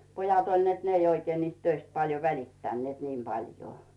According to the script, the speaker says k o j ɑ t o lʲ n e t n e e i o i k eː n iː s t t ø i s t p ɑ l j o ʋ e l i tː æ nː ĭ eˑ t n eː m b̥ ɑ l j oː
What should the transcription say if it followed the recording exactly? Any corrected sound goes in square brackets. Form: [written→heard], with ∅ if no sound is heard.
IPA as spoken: [k→p] o j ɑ t o lʲ n e t n e e i o i k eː n iː s t t ø i s t p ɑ l j o ʋ [e→æ] l i tː æ nː ĭ eˑ t n [eː→iː] m b̥ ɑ l j oː